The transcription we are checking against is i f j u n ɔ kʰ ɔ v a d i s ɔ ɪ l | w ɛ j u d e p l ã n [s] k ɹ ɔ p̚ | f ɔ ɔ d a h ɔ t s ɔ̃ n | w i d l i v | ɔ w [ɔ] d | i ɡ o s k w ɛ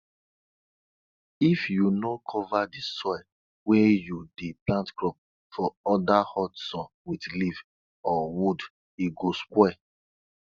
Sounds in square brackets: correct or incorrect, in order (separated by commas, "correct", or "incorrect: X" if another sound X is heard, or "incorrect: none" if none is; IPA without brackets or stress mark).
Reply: incorrect: t, incorrect: u